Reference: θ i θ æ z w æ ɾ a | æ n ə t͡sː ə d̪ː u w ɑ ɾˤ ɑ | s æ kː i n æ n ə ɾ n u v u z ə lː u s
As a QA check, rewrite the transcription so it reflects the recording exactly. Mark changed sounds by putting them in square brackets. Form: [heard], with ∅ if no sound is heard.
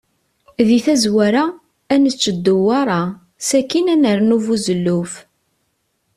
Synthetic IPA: [ð] i θ æ z w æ ɾ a | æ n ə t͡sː ə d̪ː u w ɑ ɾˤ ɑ | s æ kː i n æ n ə ɾ n u v u z ə lː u [f]